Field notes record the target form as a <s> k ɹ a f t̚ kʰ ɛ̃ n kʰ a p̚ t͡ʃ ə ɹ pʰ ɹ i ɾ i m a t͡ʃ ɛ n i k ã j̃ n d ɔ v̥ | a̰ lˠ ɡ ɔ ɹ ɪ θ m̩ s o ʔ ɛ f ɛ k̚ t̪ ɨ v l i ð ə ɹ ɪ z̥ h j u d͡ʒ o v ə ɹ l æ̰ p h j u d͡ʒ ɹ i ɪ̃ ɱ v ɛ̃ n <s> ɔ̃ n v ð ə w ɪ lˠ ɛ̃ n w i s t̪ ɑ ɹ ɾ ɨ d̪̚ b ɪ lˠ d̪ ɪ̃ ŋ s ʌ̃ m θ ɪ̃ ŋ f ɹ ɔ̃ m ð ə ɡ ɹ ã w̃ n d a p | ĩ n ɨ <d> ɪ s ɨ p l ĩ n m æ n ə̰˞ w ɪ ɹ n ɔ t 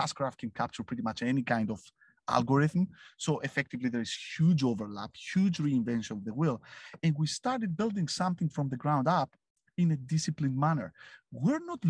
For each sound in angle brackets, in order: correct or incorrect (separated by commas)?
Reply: correct, incorrect, correct